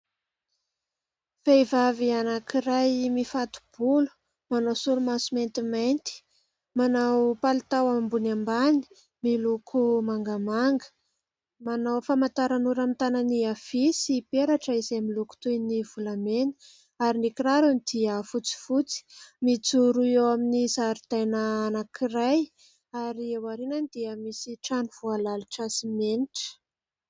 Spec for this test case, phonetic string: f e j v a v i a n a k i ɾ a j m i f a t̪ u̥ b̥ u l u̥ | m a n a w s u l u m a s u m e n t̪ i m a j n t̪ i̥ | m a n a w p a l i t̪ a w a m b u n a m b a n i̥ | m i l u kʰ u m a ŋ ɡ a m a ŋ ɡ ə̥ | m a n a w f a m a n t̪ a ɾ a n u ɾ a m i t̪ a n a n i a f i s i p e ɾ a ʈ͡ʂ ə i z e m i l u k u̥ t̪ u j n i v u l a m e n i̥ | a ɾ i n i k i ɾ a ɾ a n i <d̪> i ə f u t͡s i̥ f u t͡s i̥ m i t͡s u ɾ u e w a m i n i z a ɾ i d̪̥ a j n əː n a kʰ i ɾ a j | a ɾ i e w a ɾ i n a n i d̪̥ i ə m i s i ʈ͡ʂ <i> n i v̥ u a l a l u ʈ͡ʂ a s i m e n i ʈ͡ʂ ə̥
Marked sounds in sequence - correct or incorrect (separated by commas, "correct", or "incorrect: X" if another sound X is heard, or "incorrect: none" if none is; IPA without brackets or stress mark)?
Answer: correct, incorrect: a